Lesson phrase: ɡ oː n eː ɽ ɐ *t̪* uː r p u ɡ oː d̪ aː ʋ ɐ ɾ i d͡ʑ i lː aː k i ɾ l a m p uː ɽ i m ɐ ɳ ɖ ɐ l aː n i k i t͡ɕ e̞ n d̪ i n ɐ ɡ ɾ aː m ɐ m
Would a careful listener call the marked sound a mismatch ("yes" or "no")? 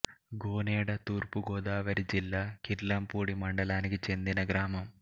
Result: no